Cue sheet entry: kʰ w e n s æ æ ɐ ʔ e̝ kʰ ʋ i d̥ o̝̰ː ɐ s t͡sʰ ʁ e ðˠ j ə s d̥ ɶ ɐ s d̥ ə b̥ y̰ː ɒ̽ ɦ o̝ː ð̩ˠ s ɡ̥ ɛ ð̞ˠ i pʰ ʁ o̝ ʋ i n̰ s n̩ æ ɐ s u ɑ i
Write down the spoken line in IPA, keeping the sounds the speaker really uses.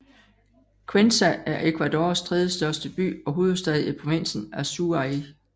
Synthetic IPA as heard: kʰ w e n s æ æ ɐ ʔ e̝ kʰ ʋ æ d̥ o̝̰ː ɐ s t͡sʰ ʁ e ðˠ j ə s d̥ ɶ ɐ s d̥ ə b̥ y̰ː ɒ̽ ɦ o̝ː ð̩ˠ s d̥ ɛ ð̞ˠ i pʰ ʁ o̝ ʋ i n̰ s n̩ æ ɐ s u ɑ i

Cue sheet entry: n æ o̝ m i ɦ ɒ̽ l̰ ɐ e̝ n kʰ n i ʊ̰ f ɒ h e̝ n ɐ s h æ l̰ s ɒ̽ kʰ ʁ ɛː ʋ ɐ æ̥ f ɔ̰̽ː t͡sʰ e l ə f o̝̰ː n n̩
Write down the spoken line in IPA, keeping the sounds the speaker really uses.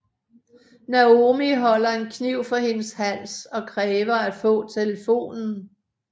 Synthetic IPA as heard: n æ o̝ m i ɦ ɒ̽ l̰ ɐ e̝ n kʰ n i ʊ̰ f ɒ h e̝ n ə s h æ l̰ s ɒ̽ kʰ ʁ ɛː ʋ ɐ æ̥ f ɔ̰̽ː t͡sʰ e l ə f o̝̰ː n n̩

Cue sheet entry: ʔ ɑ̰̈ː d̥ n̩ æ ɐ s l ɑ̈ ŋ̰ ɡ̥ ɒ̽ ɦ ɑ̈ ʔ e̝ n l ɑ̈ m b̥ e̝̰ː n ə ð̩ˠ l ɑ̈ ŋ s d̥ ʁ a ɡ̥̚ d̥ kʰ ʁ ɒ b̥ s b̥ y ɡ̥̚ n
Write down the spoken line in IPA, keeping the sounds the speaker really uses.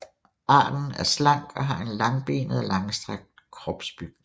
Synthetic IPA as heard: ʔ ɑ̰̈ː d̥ n̩ æ ɐ s l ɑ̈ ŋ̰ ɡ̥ ɒ̽ ɦ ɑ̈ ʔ e̝ n l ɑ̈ ŋ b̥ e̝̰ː n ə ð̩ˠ l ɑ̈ ŋ s d̥ ʁ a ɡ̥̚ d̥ kʰ ʁ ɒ b̥ s b̥ y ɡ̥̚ n

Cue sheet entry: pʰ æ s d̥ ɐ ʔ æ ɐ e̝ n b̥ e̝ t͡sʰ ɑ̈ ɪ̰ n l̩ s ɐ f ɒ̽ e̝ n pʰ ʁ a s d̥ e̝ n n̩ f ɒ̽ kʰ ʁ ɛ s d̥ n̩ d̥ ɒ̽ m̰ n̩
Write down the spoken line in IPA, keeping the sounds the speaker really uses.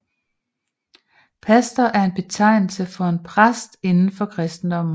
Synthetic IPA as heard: pʰ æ s d̥ ɐ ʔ æ ɐ e̝ n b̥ e̝ t͡sʰ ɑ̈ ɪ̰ n l̩ s ə f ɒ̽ e̝ n pʰ ʁ a s d̥ e̝ n n̩ f ɒ̽ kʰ ʁ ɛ s d̥ n̩ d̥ ɒ̽ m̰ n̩

